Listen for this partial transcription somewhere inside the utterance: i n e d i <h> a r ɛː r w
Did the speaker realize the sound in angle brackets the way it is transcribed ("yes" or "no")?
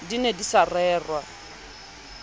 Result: no